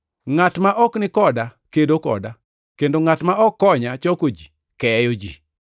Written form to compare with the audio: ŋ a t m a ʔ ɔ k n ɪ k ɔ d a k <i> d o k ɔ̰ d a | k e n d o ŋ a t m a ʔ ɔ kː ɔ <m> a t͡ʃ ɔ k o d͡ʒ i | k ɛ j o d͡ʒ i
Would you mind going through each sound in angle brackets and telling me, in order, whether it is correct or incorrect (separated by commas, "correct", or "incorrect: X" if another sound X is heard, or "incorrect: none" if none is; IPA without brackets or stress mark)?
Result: incorrect: e, incorrect: ɲ